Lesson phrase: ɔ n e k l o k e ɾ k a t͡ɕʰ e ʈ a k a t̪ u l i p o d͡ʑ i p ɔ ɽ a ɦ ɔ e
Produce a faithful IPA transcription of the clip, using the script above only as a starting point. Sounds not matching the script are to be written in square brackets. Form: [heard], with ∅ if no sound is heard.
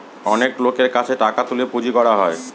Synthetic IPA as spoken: ɔ n e k l o k e ɾ k a t͡ɕʰ e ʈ a k a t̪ u l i p [u] d͡ʑ i [k] ɔ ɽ a ɦ ɔ e